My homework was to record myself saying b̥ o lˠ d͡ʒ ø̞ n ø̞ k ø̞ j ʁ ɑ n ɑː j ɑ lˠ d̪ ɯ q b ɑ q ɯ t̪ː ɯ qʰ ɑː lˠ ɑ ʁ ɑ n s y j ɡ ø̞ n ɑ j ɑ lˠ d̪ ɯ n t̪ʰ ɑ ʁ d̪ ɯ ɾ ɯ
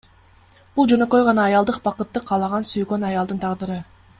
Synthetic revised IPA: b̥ u lˠ d͡ʒ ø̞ n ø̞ k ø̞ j ʁ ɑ n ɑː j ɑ lˠ d̪ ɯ q b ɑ q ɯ t̪ː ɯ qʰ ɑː lˠ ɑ ʁ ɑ n s y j ɡ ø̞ n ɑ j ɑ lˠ d̪ ɯ n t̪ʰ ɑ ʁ d̪ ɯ ɾ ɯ